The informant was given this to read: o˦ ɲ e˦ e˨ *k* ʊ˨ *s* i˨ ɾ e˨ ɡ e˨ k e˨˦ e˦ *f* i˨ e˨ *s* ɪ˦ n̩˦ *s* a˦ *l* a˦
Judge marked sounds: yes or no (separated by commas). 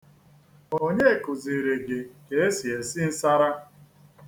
yes, no, no, yes, yes, no